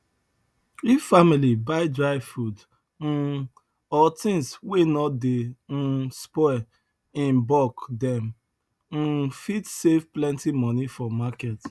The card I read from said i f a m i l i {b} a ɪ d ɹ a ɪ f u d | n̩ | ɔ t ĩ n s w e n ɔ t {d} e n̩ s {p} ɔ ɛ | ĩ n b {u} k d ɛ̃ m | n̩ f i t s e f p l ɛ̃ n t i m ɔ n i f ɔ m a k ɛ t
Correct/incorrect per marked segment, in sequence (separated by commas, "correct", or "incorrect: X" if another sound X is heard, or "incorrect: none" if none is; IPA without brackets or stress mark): correct, correct, correct, incorrect: ɔ